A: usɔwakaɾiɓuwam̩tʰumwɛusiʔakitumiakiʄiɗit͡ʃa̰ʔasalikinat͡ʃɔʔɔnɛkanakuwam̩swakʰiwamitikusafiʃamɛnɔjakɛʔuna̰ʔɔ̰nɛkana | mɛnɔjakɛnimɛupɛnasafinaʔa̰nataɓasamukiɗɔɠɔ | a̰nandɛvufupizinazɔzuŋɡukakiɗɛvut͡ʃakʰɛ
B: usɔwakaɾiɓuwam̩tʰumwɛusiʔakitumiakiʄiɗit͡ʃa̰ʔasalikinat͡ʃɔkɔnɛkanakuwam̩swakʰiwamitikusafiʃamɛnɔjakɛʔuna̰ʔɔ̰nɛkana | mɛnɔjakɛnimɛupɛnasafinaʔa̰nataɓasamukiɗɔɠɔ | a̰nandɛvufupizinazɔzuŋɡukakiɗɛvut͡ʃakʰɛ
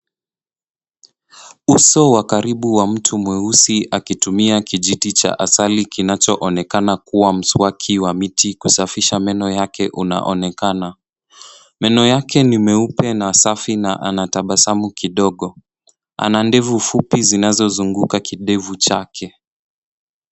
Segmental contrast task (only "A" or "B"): A